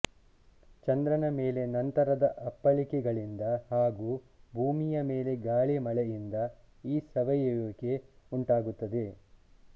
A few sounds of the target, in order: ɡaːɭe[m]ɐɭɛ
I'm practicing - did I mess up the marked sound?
no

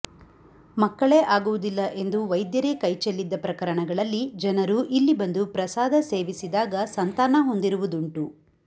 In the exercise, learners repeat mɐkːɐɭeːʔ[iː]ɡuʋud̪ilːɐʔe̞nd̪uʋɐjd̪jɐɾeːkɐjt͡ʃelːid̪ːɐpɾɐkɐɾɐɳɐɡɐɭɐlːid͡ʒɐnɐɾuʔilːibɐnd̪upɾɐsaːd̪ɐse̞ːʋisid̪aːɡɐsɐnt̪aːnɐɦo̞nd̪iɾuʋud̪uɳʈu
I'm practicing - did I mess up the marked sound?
yes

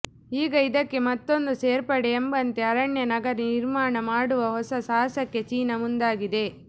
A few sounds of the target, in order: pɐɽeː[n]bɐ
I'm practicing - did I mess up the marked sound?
yes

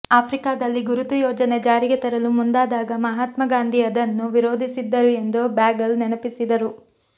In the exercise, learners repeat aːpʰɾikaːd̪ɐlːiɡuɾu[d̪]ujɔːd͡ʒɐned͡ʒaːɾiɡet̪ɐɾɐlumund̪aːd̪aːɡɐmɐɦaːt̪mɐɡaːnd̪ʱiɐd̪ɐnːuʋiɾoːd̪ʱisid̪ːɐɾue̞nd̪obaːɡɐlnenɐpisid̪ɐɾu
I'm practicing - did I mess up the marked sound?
yes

